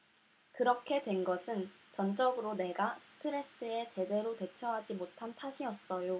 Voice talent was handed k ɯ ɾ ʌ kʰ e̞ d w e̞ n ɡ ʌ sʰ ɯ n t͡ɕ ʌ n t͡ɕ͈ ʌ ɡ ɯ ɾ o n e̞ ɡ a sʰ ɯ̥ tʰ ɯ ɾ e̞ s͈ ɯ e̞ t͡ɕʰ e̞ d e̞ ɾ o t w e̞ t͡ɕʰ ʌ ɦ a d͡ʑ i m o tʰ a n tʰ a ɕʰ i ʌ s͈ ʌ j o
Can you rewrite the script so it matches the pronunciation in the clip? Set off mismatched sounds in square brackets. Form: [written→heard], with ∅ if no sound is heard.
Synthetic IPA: k ɯ ɾ ʌ kʰ e̞ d w e̞ n ɡ ʌ sʰ ɯ n t͡ɕ ʌ n t͡ɕ͈ ʌ ɡ ɯ ɾ o n e̞ ɡ a sʰ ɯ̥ tʰ ɯ ɾ e̞ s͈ ɯ e̞ [t͡ɕʰ→t͡ɕ] e̞ d e̞ ɾ o t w e̞ t͡ɕʰ ʌ ɦ a d͡ʑ i m o tʰ a n tʰ a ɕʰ i ʌ s͈ ʌ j o